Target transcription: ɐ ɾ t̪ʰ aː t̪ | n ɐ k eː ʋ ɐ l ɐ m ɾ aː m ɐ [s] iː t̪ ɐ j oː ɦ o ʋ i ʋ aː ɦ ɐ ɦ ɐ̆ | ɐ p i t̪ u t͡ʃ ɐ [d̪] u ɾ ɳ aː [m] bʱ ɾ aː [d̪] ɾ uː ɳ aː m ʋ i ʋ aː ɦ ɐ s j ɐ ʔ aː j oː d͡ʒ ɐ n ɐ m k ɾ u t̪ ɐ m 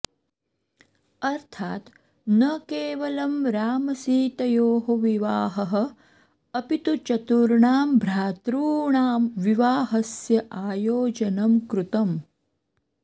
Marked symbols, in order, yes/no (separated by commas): yes, no, yes, no